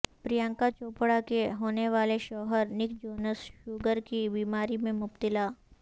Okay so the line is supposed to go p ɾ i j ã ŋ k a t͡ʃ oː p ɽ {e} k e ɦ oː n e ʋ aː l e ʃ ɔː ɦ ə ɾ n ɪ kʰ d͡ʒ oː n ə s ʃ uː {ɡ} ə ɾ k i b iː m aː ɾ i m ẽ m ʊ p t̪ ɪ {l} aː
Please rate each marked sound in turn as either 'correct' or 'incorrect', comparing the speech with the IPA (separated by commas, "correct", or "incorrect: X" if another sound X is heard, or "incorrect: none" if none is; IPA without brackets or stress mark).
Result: incorrect: a, correct, correct